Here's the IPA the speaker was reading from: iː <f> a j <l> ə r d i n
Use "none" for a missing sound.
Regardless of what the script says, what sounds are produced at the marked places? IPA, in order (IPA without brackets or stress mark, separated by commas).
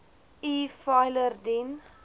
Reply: f, l